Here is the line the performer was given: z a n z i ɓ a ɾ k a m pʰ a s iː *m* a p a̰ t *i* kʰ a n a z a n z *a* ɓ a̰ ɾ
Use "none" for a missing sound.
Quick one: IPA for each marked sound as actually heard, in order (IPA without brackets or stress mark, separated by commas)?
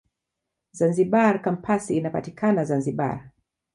n, i, i